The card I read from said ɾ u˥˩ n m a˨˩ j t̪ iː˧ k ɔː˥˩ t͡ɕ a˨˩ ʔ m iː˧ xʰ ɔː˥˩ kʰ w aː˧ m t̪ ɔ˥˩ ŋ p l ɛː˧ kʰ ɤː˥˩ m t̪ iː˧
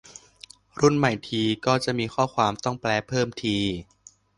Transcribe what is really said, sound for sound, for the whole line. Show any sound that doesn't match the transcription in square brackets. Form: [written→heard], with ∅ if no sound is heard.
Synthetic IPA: ɾ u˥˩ n m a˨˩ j [t̪→t̪ʰ] iː˧ k ɔː˥˩ t͡ɕ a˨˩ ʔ m iː˧ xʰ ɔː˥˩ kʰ w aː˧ m t̪ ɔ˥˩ ŋ p l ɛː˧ [kʰ→pʰ] ɤː˥˩ m [t̪→t̪ʰ] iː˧